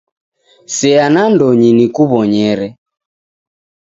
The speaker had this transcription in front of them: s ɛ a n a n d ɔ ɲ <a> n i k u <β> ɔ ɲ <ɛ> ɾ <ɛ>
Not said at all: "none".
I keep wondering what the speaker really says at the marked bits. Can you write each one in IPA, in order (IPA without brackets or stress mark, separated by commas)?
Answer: i, β, ɛ, ɛ